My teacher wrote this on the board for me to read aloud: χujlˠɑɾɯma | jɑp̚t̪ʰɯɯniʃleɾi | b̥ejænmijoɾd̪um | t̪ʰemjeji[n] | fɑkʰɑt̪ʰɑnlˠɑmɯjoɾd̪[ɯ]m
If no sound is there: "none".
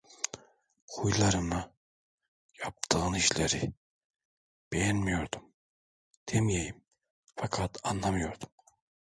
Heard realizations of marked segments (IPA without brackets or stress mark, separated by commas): m, u